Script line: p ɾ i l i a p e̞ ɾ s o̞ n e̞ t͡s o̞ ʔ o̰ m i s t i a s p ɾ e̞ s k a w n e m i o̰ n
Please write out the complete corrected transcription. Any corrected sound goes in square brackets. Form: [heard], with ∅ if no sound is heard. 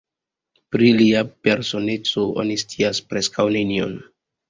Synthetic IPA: p ɾ i l i a p e̞ ɾ s o̞ n e̞ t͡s o̞ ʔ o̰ [n] i s t i a s p ɾ e̞ s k a w n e [n] i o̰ n

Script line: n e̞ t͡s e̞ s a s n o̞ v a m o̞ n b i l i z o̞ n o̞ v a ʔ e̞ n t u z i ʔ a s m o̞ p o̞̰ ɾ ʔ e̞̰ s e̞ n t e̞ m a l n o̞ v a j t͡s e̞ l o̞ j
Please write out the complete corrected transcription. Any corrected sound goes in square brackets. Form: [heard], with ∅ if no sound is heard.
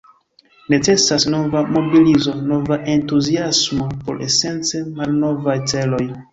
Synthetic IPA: n e̞ t͡s e̞ s a s n o̞ v a m o̞ [∅] b i l i z o̞ n o̞ v a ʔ e̞ n t u z i [∅] a s m o̞ p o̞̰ ɾ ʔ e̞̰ s e̞ n [t͡s] e̞ m a l n o̞ v a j t͡s e̞ l o̞ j

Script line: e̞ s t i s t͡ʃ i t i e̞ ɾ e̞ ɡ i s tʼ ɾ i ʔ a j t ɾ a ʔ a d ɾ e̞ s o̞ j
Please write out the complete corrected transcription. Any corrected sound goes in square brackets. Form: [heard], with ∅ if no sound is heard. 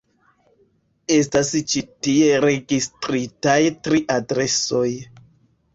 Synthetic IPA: e̞ s t [a] s t͡ʃ i t i e̞ ɾ e̞ ɡ i s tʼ ɾ i [t] a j t ɾ [i] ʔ a d ɾ e̞ s o̞ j

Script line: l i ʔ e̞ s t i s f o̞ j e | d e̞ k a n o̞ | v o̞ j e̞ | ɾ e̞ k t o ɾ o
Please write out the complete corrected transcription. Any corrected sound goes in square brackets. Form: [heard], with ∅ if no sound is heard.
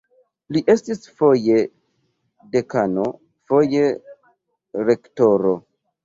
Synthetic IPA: l i ʔ e̞ s t i s f o̞ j e | d e̞ k a n o̞ | [f] o̞ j e̞ | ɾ e̞ k t o ɾ o

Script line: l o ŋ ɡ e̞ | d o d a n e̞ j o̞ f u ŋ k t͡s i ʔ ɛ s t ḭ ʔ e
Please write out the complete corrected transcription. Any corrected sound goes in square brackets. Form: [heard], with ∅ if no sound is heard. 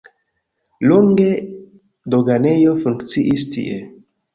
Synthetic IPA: l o ŋ ɡ e̞ | d o [ɡ] a n e̞ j o̞ f u ŋ k t͡s i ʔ [i] s t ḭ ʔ e

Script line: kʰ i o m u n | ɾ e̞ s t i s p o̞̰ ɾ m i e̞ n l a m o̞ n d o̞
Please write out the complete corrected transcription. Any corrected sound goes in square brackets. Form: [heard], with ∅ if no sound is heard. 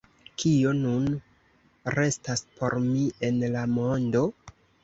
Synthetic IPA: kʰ i o [n] u n | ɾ e̞ s t [a] s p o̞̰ ɾ m i e̞ n l a m o̞ n d o̞

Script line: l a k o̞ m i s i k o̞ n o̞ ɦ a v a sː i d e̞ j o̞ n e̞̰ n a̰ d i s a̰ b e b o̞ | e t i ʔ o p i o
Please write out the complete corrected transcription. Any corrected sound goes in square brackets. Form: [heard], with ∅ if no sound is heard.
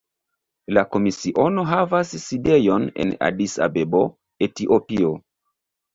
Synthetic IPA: l a k o̞ m i s i [ʔ] o̞ n o̞ ɦ a v a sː i d e̞ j o̞ n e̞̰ n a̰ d i s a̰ b e b o̞ | e t i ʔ o p i o

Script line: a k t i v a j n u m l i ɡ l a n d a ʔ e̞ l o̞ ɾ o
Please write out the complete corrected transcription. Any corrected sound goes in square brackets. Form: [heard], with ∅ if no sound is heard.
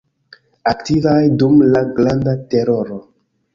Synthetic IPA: a k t i v a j [d] u m l [a] ɡ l a n d a [t] e̞ [ɾ] o̞ ɾ o

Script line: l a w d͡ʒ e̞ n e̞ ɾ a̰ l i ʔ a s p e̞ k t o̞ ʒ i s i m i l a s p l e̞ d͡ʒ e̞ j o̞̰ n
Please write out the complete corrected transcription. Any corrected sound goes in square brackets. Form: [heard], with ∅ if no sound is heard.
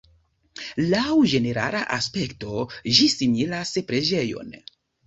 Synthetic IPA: l a w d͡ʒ e̞ n e̞ ɾ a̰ l [a] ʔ a s p e̞ k t o̞ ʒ i s i m i l a s p [ɾ] e̞ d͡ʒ e̞ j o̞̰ n

